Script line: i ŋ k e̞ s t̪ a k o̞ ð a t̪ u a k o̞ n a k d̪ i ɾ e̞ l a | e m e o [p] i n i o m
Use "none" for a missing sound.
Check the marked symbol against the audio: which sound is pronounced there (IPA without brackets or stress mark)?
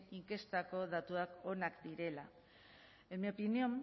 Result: p